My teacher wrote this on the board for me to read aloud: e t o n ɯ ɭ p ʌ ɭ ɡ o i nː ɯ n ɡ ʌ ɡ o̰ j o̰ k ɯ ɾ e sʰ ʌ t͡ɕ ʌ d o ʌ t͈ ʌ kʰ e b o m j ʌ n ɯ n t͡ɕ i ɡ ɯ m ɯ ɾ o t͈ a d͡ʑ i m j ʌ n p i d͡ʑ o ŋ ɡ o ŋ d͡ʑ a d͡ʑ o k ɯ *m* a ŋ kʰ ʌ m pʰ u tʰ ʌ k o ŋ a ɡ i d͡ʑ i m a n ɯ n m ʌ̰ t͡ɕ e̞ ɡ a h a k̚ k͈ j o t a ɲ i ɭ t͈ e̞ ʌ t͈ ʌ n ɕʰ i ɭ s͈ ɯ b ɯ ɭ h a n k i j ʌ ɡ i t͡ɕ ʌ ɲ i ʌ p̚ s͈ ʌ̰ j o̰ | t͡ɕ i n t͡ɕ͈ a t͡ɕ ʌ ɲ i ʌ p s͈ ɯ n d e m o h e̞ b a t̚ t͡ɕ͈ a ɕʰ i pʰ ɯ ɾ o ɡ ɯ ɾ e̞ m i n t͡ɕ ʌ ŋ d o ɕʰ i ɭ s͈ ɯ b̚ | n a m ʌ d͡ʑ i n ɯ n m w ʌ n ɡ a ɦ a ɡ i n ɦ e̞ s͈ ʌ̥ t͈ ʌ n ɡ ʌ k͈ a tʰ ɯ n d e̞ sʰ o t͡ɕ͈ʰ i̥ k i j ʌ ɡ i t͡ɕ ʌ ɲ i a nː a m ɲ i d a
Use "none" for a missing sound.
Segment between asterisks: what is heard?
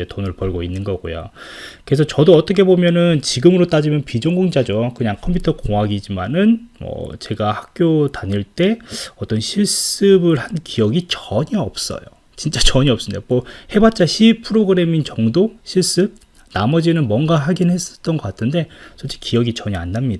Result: ɲ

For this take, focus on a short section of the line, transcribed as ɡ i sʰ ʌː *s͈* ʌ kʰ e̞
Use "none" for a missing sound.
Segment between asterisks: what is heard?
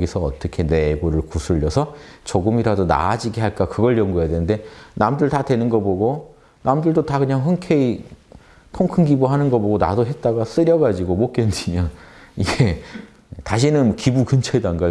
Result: t͈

